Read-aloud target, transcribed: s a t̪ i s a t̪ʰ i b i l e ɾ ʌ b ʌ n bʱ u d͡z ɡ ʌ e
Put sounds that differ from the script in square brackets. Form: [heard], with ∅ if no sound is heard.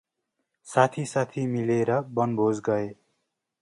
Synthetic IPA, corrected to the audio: s a [t̪ʰ] i s a t̪ʰ i [m] i l e ɾ ʌ b ʌ n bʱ [o] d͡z ɡ ʌ e